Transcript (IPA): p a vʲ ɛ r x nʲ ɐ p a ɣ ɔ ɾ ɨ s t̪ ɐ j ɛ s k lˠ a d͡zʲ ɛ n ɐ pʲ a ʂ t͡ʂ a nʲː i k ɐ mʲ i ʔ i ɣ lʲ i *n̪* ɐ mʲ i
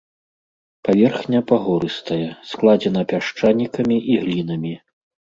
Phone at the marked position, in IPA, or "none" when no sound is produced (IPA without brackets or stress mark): n̪